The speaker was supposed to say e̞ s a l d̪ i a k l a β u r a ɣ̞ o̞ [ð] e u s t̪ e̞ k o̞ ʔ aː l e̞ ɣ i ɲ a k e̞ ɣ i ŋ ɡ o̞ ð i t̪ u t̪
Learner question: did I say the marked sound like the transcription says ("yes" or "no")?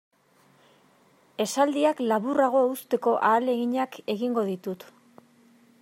no